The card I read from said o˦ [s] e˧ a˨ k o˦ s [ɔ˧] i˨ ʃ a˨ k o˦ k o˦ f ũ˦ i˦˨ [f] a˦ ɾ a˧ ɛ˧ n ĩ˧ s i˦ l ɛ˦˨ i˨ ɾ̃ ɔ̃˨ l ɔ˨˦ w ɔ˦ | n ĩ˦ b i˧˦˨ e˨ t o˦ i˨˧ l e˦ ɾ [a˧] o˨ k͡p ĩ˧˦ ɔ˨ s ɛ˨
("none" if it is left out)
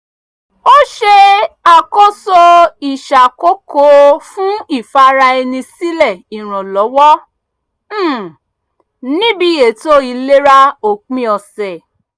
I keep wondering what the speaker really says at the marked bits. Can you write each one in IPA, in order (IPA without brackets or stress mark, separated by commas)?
ʃ, o˧, f, a˧